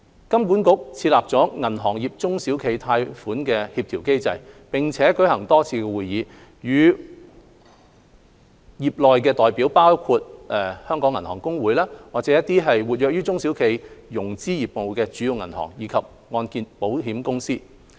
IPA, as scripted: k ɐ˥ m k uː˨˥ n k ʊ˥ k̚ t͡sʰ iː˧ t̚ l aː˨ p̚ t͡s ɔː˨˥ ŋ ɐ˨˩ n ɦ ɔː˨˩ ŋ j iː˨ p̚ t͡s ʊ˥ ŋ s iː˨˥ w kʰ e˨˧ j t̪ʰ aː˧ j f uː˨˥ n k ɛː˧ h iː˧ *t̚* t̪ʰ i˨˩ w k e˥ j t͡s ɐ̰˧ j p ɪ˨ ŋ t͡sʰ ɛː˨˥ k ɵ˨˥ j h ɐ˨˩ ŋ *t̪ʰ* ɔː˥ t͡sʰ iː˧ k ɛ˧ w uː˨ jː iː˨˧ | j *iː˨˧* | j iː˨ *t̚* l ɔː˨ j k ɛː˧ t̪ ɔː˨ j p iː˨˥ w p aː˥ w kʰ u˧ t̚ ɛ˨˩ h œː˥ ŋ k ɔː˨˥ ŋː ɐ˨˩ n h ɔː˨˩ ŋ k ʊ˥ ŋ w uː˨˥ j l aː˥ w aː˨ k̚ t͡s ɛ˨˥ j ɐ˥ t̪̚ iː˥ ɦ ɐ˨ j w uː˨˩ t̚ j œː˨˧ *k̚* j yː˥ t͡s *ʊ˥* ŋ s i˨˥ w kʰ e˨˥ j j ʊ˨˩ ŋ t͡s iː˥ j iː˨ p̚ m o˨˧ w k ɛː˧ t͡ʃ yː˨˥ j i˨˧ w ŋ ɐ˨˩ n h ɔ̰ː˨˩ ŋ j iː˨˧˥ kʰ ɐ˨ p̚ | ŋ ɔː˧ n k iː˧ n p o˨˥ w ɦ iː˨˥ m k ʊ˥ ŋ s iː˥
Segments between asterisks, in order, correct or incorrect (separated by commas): incorrect, incorrect, incorrect, incorrect, correct, correct